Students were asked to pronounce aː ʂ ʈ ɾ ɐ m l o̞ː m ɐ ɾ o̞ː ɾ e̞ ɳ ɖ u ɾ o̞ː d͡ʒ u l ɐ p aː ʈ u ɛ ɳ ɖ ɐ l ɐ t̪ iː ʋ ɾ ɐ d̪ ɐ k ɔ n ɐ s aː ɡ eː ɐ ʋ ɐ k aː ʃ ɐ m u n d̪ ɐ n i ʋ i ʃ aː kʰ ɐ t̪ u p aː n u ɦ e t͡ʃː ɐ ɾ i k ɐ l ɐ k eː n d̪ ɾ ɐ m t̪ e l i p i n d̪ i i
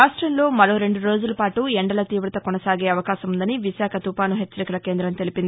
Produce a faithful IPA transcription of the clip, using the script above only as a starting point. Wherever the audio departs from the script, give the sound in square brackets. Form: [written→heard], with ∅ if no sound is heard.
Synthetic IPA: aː ʂ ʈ ɾ ɐ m l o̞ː m ɐ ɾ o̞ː ɾ e̞ ɳ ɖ u ɾ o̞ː d͡ʒ u l ɐ p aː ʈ u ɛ ɳ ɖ ɐ l ɐ t̪ iː ʋ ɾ ɐ [d̪→t̪] ɐ k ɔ n ɐ s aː ɡ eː ɐ ʋ ɐ k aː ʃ ɐ m u n d̪ ɐ n i ʋ i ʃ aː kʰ ɐ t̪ u p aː n u ɦ e t͡ʃː ɐ ɾ i k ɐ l ɐ k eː n d̪ ɾ ɐ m t̪ e l i p i n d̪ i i